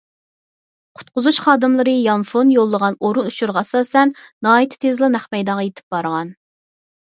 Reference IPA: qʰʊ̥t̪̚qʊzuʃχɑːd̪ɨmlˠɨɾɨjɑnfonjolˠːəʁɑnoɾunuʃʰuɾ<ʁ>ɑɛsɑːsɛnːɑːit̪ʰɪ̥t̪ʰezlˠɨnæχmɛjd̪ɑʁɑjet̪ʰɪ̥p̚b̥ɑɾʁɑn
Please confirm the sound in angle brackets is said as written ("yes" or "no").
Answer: yes